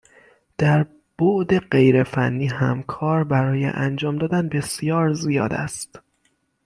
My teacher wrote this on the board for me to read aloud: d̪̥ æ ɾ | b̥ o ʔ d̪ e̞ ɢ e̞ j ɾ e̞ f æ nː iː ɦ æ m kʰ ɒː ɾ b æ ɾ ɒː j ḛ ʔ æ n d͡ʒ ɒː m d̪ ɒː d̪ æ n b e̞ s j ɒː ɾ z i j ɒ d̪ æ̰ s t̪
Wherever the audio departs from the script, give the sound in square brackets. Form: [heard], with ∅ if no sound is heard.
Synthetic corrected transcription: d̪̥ æ ɾ | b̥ o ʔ d̪ e̞ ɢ e̞ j ɾ e̞ f æ nː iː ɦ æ m kʰ ɒː ɾ b æ ɾ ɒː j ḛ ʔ æ n d͡ʒ ɒː m d̪ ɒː d̪ æ n b e̞ s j ɒː ɾ z i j [ɒː] d̪ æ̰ s t̪

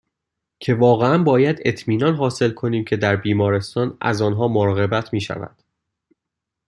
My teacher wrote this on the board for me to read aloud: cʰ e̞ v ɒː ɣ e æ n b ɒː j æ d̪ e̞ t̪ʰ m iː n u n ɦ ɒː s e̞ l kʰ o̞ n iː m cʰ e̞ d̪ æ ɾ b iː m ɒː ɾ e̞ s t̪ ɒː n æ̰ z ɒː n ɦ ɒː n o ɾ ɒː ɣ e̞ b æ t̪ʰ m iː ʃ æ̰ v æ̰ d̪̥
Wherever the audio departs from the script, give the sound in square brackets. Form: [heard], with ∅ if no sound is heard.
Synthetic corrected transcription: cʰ e̞ v ɒː ɣ e æ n b ɒː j æ d̪ e̞ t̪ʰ m iː n [ɒ] n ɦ ɒː s e̞ l kʰ o̞ n iː m cʰ e̞ d̪ æ ɾ b iː m ɒː ɾ e̞ s t̪ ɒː n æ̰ z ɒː n ɦ ɒː [m] o ɾ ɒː ɣ e̞ b æ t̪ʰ m iː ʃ æ̰ v æ̰ d̪̥

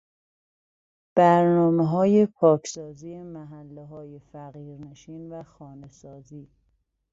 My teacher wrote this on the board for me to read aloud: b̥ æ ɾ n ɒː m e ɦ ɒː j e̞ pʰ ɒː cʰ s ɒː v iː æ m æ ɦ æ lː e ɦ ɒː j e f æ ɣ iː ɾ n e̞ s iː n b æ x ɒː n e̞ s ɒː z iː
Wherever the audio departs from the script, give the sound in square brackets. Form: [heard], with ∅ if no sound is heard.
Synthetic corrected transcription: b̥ æ ɾ n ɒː m e ɦ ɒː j e̞ pʰ ɒː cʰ s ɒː [z] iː [e] m æ ɦ æ lː e ɦ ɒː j e f æ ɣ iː ɾ n e̞ [ʃ] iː n [v] æ x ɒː n e̞ s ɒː z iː

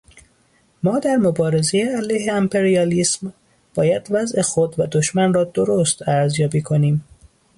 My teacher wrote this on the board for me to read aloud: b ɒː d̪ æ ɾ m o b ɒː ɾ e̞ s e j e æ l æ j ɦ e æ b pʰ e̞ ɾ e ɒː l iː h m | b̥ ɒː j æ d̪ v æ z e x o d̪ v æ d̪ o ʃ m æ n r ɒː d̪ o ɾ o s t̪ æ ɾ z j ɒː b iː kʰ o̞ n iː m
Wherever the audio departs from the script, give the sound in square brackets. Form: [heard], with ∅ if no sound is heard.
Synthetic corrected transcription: [m] ɒː d̪ æ ɾ m o b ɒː ɾ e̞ [z] e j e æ l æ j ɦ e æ [m] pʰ e̞ ɾ [i] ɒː l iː [s] m | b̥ ɒː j æ d̪ v æ z e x o d̪ v æ d̪ o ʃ m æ n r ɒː d̪ o ɾ o s t̪ æ ɾ z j ɒː b iː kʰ o̞ n iː m

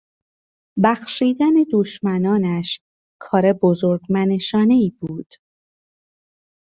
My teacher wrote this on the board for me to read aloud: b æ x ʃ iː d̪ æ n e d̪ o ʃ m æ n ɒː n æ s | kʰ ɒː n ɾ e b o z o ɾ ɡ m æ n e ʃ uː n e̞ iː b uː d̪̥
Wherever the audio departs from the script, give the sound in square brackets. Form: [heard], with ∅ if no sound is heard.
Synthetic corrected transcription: b æ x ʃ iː d̪ æ n e d̪ o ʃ m æ n ɒː n æ [ʃ] | kʰ ɒː [∅] ɾ e b o z o ɾ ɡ m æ n e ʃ [ɒː] n e̞ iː b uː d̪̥

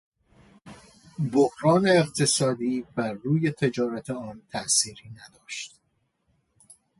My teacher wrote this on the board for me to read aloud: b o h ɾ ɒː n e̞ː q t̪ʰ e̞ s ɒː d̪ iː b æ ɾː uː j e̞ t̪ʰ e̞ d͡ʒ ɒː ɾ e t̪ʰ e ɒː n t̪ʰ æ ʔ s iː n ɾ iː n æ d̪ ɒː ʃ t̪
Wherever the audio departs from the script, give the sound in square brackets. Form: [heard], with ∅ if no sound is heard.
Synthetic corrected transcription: b o h ɾ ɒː n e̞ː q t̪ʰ e̞ s ɒː d̪ iː b æ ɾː uː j e̞ t̪ʰ e̞ d͡ʒ ɒː ɾ [æ] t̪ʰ e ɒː n t̪ʰ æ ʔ s iː [∅] ɾ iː n æ d̪ ɒː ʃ t̪

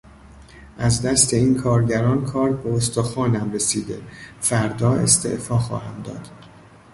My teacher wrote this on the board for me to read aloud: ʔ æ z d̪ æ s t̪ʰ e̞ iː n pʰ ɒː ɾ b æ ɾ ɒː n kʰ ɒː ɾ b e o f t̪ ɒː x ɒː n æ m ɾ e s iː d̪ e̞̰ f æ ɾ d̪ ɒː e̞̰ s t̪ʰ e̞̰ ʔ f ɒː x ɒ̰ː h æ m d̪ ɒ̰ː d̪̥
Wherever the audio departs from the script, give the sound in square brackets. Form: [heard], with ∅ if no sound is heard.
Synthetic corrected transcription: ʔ æ z d̪ æ s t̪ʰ e̞ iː n [kʰ] ɒː ɾ [ɟ] æ ɾ ɒː n kʰ ɒː ɾ b e o [s] t̪ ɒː x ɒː n æ m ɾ e s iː d̪ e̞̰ f æ ɾ d̪ ɒː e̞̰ s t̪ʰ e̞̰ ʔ f ɒː x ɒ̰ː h æ m d̪ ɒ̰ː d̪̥

